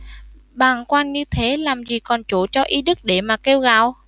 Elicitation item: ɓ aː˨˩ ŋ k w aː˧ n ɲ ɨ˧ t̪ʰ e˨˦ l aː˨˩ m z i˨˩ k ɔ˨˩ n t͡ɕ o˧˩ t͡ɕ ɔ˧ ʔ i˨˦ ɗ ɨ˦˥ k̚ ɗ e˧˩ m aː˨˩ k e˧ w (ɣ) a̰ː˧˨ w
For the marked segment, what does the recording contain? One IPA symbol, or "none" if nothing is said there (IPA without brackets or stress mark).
ɣ